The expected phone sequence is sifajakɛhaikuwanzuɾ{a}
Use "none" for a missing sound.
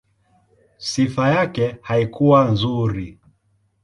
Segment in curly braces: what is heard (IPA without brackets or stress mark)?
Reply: i